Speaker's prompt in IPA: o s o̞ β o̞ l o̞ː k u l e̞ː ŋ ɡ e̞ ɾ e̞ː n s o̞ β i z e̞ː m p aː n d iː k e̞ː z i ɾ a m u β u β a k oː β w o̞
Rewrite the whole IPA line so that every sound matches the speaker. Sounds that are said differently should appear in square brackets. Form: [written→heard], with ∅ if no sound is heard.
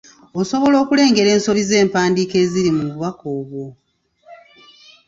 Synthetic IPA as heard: o s o̞ β o̞ l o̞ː k u l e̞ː ŋ ɡ e̞ ɾ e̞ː n s o̞ β i z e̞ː m p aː n d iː k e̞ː z i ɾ [a→i] m u β u β a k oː β w o̞